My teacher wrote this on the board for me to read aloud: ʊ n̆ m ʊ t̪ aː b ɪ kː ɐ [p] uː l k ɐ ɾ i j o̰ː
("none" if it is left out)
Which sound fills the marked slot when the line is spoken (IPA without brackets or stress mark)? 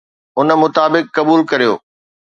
b